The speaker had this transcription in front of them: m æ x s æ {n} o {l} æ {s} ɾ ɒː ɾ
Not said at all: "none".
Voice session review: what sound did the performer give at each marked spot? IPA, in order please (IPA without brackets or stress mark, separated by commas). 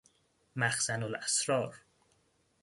n, l, s